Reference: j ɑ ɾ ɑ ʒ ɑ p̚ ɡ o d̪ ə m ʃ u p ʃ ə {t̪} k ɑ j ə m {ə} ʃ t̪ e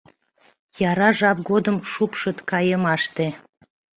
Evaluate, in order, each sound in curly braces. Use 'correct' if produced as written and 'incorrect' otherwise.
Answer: correct, incorrect: ɑ

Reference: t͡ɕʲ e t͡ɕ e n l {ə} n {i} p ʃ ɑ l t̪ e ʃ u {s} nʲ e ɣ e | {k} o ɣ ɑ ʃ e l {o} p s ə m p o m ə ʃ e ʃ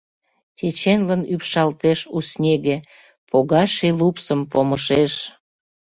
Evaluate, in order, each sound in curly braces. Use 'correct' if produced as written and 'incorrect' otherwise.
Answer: correct, incorrect: y, correct, incorrect: p, incorrect: u

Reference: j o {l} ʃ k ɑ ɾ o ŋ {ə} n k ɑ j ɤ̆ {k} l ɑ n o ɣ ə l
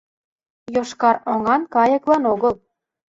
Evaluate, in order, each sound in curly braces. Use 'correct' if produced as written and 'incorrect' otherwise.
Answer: incorrect: none, incorrect: ɑ, correct

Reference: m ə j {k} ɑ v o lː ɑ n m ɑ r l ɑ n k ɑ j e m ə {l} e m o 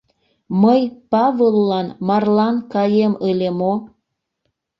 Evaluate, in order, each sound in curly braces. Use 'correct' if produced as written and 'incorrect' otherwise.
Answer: incorrect: p, correct

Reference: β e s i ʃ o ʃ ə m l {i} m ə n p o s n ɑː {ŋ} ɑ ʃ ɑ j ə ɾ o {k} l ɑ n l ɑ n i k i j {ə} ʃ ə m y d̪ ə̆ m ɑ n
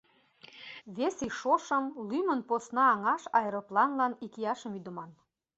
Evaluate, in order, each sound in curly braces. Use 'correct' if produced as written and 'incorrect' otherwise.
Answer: incorrect: y, correct, incorrect: p, incorrect: ɑ

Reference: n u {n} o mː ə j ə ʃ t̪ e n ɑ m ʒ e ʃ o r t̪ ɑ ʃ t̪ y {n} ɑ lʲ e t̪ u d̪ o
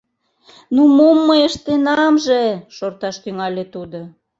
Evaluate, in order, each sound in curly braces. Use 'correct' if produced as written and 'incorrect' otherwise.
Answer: incorrect: m, incorrect: ŋ

